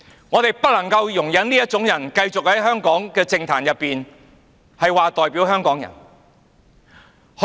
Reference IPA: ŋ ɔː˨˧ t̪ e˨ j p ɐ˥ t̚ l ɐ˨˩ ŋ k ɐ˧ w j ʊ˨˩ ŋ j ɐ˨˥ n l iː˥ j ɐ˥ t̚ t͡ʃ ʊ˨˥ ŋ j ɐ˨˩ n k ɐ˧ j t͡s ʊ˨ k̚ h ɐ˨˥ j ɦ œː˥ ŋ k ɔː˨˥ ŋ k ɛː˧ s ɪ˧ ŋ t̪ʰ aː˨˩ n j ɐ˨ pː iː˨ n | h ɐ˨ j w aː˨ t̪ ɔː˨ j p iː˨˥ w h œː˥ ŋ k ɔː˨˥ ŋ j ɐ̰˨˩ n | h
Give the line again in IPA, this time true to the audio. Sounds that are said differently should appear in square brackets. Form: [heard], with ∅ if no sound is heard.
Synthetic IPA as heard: ŋ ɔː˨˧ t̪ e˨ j p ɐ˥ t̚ l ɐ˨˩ ŋ k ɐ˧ w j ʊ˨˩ ŋ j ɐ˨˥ n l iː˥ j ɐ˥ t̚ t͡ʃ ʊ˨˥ ŋ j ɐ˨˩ n k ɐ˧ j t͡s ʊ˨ k̚ h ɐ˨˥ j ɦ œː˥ ŋ k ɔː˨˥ ŋ k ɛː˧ [t͡s] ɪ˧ ŋ t̪ʰ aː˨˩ n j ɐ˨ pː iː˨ n | h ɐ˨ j w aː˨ t̪ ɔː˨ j p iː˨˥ w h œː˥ ŋ k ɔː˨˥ ŋ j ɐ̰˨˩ n | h